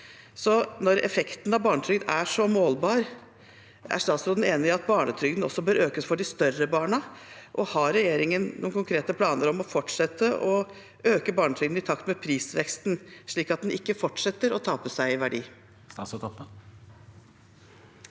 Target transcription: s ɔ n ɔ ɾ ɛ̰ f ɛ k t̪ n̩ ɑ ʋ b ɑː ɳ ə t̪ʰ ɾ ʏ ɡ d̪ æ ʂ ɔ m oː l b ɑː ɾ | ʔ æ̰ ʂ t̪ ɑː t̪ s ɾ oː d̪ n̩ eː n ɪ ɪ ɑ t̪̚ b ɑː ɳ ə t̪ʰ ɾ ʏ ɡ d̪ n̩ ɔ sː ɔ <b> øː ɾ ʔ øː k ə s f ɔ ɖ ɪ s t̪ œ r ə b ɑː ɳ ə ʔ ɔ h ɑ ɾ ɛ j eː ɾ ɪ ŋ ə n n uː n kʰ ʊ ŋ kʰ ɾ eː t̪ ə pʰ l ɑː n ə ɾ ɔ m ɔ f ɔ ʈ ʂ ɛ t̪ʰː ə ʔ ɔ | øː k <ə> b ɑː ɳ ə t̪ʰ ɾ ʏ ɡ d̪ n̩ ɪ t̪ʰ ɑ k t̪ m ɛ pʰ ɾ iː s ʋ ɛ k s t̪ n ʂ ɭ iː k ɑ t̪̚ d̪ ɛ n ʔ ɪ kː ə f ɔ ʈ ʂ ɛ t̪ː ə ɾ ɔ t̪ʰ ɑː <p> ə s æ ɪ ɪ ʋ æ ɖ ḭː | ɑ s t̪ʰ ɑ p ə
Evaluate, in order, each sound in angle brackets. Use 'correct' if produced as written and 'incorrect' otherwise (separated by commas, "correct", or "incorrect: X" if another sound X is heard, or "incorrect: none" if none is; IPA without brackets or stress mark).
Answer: correct, correct, correct